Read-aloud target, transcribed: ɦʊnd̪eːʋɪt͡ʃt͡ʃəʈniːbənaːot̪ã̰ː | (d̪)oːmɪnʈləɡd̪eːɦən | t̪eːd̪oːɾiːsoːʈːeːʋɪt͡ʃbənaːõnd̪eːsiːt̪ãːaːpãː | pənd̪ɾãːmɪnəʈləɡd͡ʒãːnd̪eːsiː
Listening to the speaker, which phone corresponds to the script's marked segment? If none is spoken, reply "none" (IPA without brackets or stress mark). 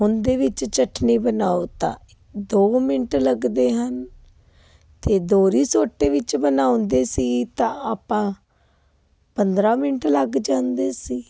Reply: d̪